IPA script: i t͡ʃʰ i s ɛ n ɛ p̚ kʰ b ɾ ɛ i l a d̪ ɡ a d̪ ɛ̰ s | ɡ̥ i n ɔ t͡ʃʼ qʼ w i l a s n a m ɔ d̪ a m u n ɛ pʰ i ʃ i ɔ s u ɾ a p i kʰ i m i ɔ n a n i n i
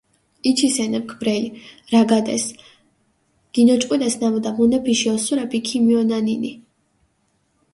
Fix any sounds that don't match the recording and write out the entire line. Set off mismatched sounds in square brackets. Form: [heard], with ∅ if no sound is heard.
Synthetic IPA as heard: i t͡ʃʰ i s ɛ n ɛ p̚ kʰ b ɾ ɛ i [ɾ] a [∅] ɡ a d̪ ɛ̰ s | ɡ̥ i n ɔ t͡ʃʼ qʼ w i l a s n a m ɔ d̪ a m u n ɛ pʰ i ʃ i ɔ s u ɾ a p i kʰ i m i ɔ n a n i n i